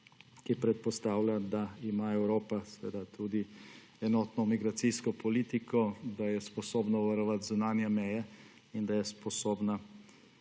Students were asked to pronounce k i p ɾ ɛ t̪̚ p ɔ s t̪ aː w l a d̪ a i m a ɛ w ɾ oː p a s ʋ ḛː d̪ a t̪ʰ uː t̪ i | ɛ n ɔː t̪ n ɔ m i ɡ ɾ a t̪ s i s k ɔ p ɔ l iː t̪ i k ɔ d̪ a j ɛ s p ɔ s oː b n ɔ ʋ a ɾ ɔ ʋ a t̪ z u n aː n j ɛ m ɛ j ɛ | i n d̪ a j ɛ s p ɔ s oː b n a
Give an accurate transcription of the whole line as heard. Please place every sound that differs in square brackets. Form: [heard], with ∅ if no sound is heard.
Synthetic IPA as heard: k i p ɾ ɛ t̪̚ p ɔ s t̪ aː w l a d̪ a i m a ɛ w ɾ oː p a s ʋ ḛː d̪ a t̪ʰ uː [d̪] i | ɛ n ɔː t̪ n ɔ m i ɡ ɾ a t̪ s i s k ɔ p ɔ l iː t̪ i k ɔ d̪ a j ɛ s p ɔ s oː b n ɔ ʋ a ɾ ɔ ʋ a t̪ z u n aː n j ɛ m ɛ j ɛ | i n d̪ a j ɛ s p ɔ s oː b n a